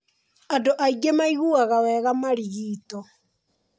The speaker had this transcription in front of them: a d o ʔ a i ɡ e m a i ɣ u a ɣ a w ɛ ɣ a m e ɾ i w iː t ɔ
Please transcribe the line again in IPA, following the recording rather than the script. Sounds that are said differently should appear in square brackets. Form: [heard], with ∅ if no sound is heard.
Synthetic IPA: a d o ʔ a i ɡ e m a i ɣ u a ɣ a w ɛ ɣ a m [a] ɾ i [ɣ] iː t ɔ